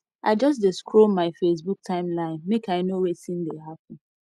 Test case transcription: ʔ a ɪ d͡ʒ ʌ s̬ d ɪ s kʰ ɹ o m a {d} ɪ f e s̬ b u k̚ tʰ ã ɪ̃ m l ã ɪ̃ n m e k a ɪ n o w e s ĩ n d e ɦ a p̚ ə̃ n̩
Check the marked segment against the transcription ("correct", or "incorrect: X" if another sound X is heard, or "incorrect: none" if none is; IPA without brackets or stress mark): incorrect: none